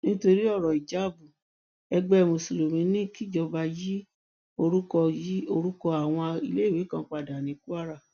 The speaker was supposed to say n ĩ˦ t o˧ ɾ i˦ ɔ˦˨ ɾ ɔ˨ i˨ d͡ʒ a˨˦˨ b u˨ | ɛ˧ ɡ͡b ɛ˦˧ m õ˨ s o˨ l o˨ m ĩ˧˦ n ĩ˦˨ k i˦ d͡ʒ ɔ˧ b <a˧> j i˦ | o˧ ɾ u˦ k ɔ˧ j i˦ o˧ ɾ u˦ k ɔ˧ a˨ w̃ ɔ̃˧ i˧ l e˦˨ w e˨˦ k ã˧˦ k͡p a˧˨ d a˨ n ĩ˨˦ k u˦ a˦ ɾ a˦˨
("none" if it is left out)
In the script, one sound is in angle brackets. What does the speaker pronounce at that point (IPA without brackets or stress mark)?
a˧